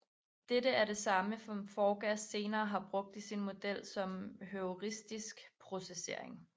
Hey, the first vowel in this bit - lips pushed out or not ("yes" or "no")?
no